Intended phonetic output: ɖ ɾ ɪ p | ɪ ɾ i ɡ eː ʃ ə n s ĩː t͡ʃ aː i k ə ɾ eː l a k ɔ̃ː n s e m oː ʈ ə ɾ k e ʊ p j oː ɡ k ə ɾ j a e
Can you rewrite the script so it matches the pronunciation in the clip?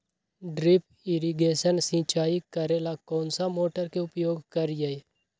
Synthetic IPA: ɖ ɾ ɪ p | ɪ ɾ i ɡ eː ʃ ə n s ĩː t͡ʃ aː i k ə ɾ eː l a k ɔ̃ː n s a m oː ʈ ə ɾ k e ʊ p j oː ɡ k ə ɾ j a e